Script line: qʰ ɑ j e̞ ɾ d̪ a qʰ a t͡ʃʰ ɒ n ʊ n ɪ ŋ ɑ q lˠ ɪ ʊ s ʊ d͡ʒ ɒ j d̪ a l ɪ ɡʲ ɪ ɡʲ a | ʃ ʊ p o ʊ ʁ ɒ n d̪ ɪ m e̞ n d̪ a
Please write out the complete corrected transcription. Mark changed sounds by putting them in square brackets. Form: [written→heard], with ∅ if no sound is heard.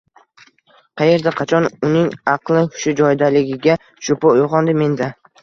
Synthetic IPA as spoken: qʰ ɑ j e̞ ɾ d̪ a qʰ [a→ɑ] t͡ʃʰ ɒ n ʊ n ɪ ŋ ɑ q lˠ ɪ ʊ [s→ʃ] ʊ d͡ʒ ɒ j d̪ a l ɪ ɡʲ ɪ ɡʲ a | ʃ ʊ p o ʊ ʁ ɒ n d̪ ɪ m e̞ n d̪ a

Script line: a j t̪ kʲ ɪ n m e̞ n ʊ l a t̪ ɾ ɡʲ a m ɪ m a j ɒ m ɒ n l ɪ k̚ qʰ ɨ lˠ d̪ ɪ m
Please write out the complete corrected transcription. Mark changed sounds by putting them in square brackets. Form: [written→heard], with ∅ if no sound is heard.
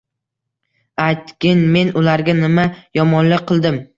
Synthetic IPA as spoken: a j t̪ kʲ ɪ n m e̞ n ʊ l a [t̪→∅] ɾ ɡʲ a [m→n] ɪ m a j ɒ m ɒ n l ɪ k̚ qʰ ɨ lˠ d̪ ɪ m

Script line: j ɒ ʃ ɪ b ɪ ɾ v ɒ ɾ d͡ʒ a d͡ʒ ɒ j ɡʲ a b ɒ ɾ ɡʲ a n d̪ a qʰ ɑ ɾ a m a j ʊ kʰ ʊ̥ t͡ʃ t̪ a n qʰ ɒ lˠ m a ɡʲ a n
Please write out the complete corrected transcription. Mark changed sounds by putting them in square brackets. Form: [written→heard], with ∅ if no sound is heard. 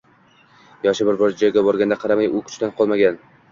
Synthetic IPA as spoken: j ɒ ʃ ɪ b ɪ ɾ [v→b] ɒ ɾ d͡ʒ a d͡ʒ ɒ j ɡʲ a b ɒ ɾ ɡʲ a n d̪ a qʰ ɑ ɾ a m a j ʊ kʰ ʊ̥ t͡ʃ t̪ a n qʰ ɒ lˠ m a ɡʲ a n

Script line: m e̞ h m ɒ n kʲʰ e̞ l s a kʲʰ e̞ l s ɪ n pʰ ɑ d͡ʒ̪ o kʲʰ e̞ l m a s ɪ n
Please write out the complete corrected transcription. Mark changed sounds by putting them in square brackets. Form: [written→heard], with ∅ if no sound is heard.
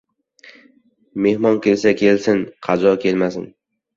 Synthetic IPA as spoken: m e̞ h m ɒ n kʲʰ e̞ l s a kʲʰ e̞ l s ɪ n [pʰ→qʰ] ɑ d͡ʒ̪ [o→ɒ] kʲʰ e̞ l m a s ɪ n

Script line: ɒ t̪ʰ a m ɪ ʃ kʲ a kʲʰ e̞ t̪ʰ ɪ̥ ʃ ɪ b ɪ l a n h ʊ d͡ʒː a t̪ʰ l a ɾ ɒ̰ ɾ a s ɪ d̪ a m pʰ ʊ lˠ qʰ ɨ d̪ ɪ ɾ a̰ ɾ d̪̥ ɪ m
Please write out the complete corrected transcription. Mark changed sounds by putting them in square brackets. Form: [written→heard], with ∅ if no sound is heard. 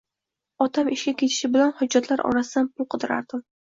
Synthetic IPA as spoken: ɒ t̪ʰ a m ɪ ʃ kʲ a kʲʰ e̞ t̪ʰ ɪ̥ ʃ ɪ b ɪ l a n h ʊ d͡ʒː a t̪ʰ l a ɾ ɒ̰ ɾ a s ɪ d̪ a [m→n] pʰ ʊ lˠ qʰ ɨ d̪ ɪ ɾ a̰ ɾ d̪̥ ɪ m

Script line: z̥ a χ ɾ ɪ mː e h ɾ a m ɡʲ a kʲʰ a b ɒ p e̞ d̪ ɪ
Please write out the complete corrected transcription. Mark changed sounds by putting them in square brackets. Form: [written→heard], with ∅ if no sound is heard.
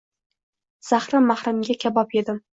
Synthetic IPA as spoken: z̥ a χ ɾ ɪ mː [e→a] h ɾ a m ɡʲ a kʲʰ a b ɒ p e̞ d̪ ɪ

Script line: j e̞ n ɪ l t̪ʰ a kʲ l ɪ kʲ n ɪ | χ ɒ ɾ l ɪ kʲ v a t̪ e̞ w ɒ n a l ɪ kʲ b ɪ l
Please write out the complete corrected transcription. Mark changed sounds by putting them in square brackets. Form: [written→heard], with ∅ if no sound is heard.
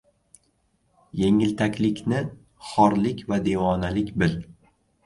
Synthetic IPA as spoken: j e̞ [n→ŋ] ɪ l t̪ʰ a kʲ l ɪ kʲ n ɪ | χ ɒ ɾ l ɪ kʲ v a [t̪→d̪] e̞ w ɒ n a l ɪ kʲ b ɪ l

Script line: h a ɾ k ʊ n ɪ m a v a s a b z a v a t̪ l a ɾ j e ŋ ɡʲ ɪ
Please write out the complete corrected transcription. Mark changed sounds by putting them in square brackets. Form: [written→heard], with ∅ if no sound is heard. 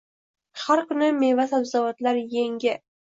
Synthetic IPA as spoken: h a ɾ k ʊ n ɪ m [a→e] v a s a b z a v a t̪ l a ɾ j e ŋ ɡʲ ɪ

